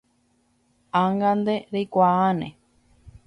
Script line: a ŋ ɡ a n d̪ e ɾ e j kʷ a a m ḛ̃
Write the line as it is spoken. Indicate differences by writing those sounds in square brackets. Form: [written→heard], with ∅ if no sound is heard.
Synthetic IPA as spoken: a ŋ ɡ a n d̪ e ɾ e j kʷ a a [m→n] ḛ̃